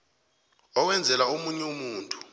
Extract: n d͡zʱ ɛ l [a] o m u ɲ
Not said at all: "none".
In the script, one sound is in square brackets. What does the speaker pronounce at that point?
a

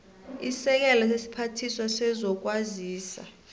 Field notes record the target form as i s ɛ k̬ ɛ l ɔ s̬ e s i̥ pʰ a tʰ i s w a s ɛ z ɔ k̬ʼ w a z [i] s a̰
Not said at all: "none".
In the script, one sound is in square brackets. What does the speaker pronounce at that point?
iː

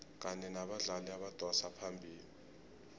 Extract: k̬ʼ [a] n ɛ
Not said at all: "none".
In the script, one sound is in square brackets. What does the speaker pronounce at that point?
a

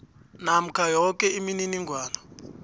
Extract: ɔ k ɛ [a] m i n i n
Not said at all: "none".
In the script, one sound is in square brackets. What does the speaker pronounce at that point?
i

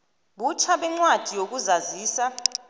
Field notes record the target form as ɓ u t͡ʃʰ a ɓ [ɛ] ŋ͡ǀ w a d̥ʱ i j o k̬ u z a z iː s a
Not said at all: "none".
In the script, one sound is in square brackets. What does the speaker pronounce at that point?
ɛ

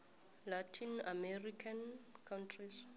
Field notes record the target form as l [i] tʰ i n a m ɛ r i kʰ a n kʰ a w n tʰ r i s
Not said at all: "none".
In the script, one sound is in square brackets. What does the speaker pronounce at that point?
a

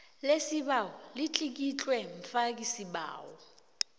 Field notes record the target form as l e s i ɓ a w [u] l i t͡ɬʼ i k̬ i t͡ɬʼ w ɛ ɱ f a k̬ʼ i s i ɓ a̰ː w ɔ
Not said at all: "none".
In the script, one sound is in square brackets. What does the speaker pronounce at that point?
ɔ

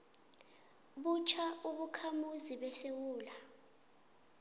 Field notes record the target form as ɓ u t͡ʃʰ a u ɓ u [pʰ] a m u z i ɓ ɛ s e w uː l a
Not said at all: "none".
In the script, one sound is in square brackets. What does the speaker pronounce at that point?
kʰ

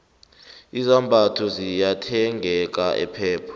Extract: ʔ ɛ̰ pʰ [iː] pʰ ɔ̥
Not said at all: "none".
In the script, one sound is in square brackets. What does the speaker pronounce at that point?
ɛː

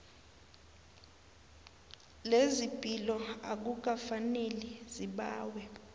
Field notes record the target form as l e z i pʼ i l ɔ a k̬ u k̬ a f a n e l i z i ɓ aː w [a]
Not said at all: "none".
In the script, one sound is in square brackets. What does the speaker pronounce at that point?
ɛ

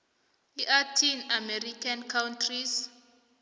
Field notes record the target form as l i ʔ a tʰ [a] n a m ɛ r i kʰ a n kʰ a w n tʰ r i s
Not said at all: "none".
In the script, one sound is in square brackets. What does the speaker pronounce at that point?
i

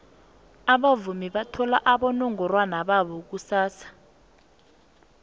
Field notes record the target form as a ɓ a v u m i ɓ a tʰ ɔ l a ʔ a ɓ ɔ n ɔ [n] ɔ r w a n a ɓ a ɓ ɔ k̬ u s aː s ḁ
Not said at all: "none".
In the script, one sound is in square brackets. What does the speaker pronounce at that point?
ŋ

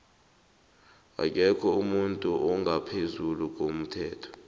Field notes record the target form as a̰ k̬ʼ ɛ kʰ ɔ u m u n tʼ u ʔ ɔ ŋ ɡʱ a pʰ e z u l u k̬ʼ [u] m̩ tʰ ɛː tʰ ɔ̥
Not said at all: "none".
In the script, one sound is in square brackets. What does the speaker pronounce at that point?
o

